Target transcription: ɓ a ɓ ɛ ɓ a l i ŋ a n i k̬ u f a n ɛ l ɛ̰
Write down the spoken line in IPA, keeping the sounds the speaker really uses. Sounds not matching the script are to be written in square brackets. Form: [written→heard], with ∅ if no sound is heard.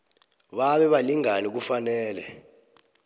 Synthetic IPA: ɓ a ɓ ɛ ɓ a l i ŋ a n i k̬ u f a n [ɛ→ɛː] l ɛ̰